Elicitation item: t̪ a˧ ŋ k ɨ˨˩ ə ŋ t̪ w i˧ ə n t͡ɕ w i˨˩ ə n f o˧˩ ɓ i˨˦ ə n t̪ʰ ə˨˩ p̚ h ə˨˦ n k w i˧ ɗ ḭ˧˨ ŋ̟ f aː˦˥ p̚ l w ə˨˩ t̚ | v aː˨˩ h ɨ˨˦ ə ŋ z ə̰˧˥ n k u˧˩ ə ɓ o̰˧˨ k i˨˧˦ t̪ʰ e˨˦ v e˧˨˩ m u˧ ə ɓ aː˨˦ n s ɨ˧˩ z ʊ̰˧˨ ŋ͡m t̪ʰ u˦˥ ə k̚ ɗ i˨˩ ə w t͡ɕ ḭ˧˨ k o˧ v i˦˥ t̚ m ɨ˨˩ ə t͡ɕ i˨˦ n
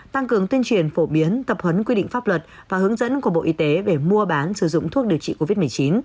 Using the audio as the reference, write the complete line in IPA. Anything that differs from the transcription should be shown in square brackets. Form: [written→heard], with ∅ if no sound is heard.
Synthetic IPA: t̪ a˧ ŋ k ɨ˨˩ ə ŋ t̪ w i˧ ə n t͡ɕ w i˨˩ ə n f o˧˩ ɓ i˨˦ ə n [t̪ʰ→t̪] ə˨˩ p̚ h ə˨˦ n k w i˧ ɗ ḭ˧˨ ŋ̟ f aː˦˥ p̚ l w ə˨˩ t̚ | v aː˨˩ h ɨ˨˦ ə ŋ z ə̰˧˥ n k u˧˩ ə ɓ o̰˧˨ [k→ʔ] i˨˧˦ [t̪ʰ→t̪] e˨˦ v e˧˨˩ m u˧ ə ɓ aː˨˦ n s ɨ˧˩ z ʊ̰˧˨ ŋ͡m t̪ʰ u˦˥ ə k̚ ɗ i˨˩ ə w t͡ɕ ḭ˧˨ k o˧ v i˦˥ t̚ m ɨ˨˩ ə t͡ɕ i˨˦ n